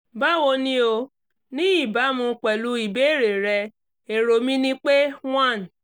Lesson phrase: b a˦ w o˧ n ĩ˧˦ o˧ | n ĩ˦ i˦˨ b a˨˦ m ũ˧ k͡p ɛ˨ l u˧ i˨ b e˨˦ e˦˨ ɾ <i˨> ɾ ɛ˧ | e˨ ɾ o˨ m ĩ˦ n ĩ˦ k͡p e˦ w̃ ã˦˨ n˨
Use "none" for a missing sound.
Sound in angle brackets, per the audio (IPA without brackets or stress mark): e˨